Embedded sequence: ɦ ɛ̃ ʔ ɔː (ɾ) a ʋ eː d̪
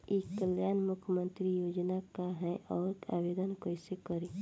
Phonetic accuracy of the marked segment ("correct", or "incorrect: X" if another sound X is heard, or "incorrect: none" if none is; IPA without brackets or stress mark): correct